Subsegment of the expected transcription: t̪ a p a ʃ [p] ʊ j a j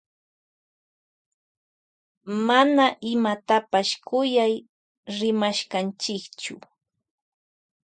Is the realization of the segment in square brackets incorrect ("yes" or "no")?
yes